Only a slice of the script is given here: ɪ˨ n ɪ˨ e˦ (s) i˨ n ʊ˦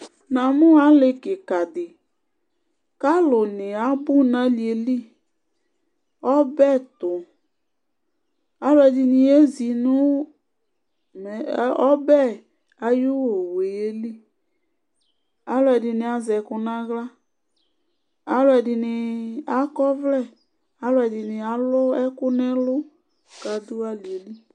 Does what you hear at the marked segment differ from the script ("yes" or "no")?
yes